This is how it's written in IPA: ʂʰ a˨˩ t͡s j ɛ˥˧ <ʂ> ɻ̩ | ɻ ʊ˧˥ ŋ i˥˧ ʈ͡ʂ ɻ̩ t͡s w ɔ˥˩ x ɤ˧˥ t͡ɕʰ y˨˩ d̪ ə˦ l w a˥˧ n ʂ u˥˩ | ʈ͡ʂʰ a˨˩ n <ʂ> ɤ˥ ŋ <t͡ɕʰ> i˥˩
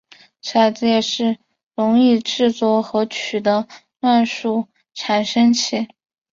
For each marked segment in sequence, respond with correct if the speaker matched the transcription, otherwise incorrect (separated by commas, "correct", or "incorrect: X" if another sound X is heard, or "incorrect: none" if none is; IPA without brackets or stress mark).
correct, correct, correct